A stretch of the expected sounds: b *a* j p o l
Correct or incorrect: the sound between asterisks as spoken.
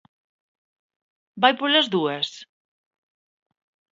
correct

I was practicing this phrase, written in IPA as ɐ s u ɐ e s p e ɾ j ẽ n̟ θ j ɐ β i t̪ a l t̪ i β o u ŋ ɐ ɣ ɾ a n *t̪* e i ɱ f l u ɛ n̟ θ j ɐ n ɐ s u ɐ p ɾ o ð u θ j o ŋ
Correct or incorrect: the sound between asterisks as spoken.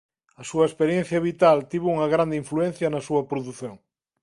incorrect: d̪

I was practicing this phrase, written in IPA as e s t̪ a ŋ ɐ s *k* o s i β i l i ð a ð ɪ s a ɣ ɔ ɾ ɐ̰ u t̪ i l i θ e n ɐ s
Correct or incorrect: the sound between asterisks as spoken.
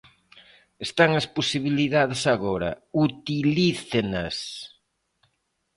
incorrect: p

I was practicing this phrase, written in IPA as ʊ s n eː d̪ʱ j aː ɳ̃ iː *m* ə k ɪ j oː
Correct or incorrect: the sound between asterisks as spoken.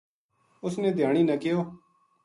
incorrect: n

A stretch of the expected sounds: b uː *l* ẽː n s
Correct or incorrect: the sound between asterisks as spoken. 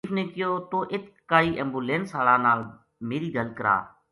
correct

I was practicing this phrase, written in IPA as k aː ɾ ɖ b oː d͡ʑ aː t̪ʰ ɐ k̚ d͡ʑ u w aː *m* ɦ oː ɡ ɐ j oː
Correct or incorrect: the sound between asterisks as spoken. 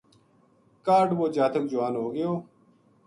incorrect: n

